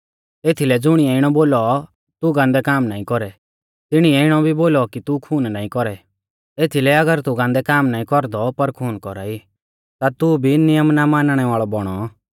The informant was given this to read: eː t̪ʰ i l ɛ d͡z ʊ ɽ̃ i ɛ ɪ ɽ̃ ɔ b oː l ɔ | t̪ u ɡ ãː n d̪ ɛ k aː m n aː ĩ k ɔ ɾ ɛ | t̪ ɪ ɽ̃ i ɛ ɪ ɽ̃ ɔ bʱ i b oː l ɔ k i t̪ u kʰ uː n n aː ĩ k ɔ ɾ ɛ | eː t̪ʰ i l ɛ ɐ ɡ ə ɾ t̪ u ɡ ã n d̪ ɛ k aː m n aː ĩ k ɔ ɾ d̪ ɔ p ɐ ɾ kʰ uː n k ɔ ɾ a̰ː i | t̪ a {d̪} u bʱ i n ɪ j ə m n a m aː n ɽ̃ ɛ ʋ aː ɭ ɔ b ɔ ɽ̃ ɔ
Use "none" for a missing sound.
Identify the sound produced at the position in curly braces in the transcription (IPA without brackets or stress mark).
t̪